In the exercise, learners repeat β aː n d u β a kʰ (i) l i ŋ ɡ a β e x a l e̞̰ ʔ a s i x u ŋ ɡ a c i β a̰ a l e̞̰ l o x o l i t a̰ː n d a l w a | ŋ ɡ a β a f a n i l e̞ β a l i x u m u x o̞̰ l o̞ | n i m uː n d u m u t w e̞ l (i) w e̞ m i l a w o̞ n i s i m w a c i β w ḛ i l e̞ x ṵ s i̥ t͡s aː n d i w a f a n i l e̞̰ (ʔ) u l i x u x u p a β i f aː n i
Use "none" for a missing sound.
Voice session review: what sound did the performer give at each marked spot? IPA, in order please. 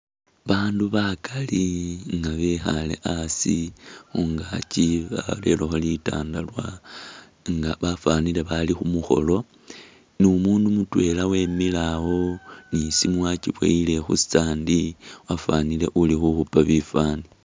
a, a, ʔ

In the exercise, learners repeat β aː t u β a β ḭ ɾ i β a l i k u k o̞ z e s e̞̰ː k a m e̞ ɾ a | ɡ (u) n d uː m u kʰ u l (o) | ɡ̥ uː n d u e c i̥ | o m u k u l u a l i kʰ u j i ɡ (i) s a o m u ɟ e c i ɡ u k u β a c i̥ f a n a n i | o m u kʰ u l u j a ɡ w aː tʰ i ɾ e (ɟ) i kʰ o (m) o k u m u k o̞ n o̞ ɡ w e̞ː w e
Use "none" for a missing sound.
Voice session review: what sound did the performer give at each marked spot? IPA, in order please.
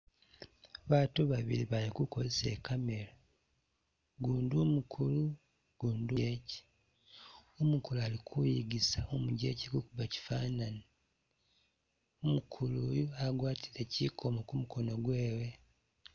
uː, u, i, c, m

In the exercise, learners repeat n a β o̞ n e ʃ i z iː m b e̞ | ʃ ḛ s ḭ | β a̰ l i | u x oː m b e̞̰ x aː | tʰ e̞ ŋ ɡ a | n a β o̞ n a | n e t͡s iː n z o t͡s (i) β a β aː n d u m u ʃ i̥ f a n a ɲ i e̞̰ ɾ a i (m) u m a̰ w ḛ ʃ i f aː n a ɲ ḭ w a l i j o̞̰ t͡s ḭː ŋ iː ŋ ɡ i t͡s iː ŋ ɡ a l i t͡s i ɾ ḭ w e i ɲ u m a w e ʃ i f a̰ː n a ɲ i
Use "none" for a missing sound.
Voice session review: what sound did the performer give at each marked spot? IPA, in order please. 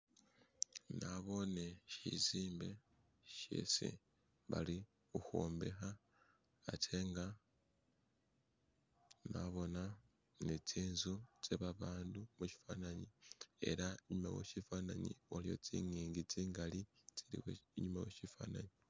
e, ɲ

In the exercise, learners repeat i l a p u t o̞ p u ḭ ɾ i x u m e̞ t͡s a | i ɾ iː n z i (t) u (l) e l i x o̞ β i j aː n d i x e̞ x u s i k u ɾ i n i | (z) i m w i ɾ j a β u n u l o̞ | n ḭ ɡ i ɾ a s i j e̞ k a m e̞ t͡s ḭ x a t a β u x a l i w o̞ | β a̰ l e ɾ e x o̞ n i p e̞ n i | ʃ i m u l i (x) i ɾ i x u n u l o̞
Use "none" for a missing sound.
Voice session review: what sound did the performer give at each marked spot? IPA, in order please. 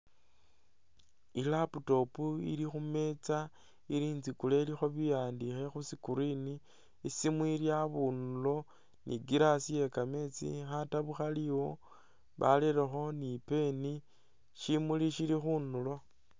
k, l, s, ʃ

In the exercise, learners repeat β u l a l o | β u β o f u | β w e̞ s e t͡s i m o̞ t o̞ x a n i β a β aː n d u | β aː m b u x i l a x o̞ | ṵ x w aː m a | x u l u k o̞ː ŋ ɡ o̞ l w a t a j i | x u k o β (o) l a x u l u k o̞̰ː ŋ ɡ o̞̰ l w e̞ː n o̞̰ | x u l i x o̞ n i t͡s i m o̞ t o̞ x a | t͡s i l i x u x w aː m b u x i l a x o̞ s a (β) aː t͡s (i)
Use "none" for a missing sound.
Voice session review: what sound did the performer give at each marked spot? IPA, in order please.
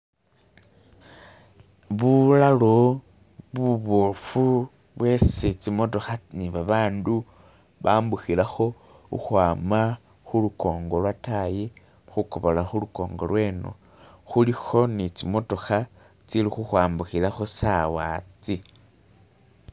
o, w, i

